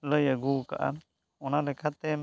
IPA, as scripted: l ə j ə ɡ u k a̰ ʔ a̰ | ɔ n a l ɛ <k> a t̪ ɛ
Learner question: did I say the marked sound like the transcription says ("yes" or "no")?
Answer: no